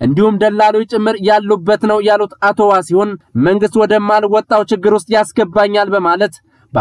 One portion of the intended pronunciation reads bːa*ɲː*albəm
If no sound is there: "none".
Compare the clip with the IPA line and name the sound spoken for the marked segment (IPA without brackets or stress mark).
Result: ɲː